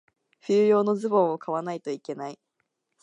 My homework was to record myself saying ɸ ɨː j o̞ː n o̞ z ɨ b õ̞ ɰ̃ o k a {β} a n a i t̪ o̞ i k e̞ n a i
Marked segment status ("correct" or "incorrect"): correct